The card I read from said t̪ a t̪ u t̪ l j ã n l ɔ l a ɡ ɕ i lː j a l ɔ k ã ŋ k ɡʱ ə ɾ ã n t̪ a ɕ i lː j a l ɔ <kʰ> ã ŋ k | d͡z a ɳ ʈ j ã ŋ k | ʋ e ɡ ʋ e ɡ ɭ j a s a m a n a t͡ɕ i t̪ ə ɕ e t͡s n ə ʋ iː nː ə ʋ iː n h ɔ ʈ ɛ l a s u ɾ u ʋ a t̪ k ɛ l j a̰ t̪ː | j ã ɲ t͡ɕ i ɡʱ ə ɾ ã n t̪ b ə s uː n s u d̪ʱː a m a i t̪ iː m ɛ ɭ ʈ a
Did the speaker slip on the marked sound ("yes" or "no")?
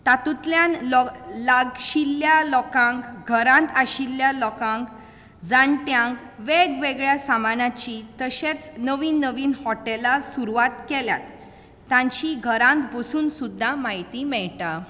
yes